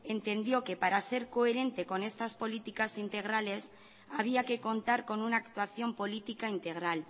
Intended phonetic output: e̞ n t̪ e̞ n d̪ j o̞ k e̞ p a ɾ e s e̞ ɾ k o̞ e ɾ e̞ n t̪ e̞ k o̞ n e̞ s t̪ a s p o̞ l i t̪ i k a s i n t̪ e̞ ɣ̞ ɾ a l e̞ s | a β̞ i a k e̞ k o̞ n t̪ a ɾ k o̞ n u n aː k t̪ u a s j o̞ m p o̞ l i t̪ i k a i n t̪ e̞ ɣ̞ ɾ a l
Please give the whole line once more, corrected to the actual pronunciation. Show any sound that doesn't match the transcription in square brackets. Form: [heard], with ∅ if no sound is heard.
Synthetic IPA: e̞ n t̪ e̞ n d̪ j o̞ k e̞ p a ɾ [a] s e̞ ɾ k o̞ e ɾ e̞ n t̪ e̞ k o̞ n e̞ s t̪ a s p o̞ l i t̪ i k a s i n t̪ e̞ ɣ̞ ɾ a l e̞ s | a β̞ i a k e̞ k o̞ n t̪ a ɾ k o̞ n u n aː k t̪ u a [θ] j o̞ m p o̞ l i t̪ i k a i n t̪ e̞ ɣ̞ ɾ a l